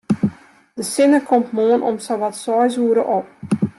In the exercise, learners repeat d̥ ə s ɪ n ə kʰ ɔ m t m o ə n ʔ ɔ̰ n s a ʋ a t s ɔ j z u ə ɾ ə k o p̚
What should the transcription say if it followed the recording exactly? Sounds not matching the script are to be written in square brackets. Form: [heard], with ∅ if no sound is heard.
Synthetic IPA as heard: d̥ ə s ɪ n ə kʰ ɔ m t m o ə n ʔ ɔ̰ [m] s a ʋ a t s ɔ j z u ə ɾ ə [ʔ] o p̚